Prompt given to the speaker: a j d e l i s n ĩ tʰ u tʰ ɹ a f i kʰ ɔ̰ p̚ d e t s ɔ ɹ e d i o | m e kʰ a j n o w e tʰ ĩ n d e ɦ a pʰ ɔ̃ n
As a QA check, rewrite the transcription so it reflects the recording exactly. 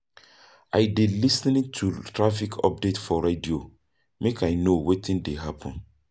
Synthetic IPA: a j d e l i s n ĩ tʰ u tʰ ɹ a f i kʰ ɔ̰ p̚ d e t f ɔ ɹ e d i o | m e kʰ a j n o w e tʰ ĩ n d e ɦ a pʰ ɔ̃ n